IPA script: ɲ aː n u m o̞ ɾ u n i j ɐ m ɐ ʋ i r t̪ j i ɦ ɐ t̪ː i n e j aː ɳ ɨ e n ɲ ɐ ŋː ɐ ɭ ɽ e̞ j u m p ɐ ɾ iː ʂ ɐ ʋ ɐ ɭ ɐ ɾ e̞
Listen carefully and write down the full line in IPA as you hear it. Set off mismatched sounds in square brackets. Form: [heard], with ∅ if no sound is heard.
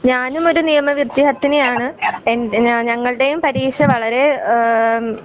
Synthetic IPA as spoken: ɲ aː n u m o̞ ɾ u n i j ɐ m ɐ ʋ i r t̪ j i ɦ ɐ t̪ː i n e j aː ɳ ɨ e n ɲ ɐ ŋː ɐ ɭ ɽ e̞ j u m p ɐ ɾ iː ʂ ɐ ʋ ɐ ɭ ɐ ɾ e̞